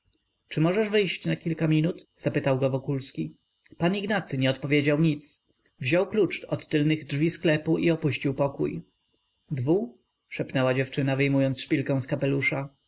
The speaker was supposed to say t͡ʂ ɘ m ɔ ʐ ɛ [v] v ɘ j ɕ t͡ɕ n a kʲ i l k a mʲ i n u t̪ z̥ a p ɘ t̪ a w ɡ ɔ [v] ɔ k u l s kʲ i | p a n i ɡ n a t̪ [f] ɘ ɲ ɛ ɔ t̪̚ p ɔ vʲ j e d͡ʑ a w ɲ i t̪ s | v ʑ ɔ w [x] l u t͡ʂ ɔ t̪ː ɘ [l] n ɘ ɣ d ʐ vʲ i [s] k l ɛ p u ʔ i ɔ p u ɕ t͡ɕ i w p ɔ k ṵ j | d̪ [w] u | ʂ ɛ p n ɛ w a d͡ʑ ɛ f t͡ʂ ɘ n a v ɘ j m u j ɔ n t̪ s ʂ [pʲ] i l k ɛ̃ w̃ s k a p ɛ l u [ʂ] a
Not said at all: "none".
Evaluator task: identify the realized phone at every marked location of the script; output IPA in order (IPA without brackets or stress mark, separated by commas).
ʐ, v, s, k, l, s, v, pʲ, ʂ